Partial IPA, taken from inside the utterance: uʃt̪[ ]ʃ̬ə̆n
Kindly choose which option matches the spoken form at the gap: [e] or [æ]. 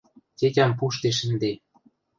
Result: e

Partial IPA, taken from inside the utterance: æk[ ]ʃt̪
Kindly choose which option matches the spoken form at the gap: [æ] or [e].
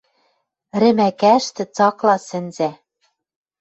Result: æ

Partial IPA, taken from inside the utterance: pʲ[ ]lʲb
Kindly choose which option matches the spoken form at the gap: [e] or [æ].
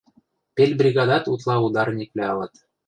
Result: e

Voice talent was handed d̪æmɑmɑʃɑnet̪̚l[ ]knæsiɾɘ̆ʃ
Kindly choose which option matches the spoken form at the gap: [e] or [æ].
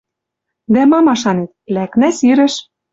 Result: æ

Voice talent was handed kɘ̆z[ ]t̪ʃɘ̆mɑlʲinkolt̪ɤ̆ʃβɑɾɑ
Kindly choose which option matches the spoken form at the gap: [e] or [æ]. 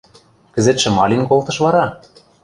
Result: e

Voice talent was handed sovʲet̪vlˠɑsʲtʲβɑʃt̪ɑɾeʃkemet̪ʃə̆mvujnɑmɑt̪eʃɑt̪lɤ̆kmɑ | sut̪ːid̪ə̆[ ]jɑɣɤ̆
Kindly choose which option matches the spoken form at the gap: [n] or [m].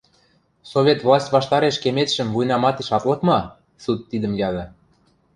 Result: m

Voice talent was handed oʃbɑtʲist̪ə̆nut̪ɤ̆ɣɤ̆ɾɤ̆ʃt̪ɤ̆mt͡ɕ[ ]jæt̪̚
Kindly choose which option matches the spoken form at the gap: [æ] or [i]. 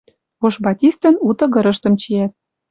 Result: i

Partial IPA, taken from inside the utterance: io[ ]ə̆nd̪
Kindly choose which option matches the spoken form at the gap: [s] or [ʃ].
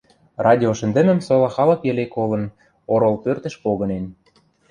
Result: ʃ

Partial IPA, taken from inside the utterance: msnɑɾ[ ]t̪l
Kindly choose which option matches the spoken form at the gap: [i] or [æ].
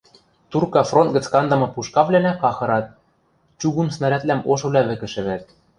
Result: æ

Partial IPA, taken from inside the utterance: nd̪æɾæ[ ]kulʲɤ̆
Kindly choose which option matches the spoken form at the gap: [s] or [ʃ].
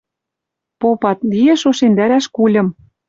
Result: ʃ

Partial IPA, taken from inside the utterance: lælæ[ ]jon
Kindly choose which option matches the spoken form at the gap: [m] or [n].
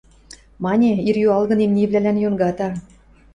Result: n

